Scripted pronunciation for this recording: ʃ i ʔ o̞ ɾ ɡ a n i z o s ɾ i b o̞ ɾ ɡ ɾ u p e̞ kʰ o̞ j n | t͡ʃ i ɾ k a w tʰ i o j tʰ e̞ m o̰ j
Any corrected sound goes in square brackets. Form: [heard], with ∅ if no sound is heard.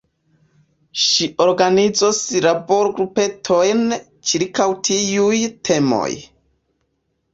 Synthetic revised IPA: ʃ i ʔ o̞ ɾ ɡ a n i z o s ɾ [a] b o̞ ɾ ɡ ɾ u p e̞ [tʰ] o̞ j n | t͡ʃ i ɾ k a w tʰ i [u] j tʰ e̞ m o̰ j